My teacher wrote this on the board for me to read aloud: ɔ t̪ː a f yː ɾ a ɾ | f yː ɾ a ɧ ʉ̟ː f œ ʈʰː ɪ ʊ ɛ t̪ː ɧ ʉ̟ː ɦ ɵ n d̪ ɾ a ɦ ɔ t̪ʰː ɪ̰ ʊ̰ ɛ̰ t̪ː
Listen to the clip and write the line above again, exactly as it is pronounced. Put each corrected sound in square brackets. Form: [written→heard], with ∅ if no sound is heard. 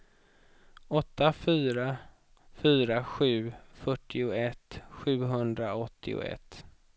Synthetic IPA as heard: ɔ t̪ː a f yː ɾ a [ɾ→∅] | f yː ɾ a ɧ ʉ̟ː f œ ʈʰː ɪ ʊ ɛ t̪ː ɧ ʉ̟ː ɦ ɵ n d̪ ɾ a [ɦ→∅] ɔ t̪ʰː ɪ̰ ʊ̰ ɛ̰ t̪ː